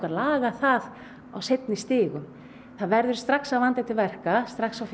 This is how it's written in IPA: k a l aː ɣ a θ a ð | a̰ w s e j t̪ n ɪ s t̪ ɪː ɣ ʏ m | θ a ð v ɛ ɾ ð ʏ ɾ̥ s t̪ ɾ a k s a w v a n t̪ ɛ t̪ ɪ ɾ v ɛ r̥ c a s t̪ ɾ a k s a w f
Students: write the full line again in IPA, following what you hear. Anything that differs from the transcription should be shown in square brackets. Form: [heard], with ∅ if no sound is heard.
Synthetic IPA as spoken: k a l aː ɣ a θ a ð | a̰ w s e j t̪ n ɪ s t̪ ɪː ɣ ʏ m | θ a ð v ɛ ɾ ð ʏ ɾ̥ s t̪ ɾ a k s a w v a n t̪ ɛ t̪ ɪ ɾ v ɛ r̥ [k] a s t̪ ɾ a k s a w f